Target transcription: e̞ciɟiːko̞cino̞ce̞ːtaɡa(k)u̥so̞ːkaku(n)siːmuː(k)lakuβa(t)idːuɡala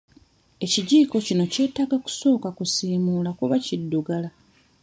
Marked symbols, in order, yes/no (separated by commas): yes, no, no, no